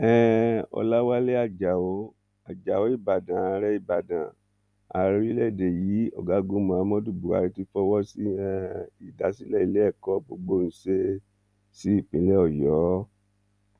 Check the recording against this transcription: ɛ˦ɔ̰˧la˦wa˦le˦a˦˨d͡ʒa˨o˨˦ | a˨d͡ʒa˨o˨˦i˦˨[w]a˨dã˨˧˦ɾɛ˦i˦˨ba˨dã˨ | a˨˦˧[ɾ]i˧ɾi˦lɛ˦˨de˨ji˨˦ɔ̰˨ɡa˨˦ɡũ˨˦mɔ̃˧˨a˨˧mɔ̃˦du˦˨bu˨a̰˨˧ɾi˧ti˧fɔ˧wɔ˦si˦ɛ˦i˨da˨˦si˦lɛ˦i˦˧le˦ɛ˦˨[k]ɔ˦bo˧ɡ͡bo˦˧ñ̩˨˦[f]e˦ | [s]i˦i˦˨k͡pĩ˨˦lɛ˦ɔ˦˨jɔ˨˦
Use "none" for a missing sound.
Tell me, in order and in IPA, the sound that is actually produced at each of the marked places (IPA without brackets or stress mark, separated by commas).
b, ɾ, k, s, s